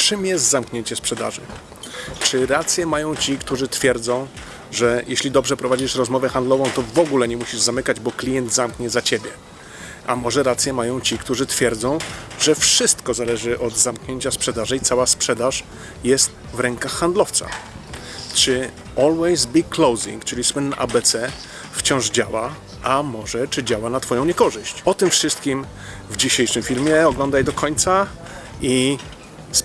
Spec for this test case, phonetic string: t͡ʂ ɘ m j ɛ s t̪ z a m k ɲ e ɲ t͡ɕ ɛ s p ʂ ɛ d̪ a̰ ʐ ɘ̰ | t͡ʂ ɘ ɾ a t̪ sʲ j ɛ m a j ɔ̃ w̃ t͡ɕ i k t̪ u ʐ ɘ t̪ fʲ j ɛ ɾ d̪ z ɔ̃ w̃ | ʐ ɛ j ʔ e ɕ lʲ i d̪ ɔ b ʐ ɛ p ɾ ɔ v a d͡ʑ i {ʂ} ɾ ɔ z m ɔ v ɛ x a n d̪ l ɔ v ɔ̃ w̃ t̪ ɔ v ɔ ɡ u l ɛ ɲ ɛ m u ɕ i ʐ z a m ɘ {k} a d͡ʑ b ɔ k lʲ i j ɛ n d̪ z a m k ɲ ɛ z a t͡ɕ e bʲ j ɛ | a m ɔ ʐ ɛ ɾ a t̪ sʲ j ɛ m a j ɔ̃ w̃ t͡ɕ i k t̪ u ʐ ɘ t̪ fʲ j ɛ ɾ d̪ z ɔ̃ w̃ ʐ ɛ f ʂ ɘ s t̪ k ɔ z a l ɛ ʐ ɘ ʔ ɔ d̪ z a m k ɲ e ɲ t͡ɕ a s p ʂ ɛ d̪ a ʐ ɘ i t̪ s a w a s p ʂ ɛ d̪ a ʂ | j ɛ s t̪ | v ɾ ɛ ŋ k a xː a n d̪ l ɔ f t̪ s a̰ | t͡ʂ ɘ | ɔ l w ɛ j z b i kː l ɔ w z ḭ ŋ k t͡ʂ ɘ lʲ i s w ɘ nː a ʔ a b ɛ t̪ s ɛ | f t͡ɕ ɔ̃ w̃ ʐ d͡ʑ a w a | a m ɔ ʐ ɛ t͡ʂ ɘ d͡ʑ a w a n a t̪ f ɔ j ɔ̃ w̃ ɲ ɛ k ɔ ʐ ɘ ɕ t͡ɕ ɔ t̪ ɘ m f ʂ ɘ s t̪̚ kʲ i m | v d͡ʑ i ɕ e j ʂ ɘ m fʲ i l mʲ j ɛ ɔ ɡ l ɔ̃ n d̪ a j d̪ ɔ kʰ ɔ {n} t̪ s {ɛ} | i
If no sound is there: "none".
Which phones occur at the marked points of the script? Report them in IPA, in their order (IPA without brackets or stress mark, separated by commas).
ʂ, k, ɲ, a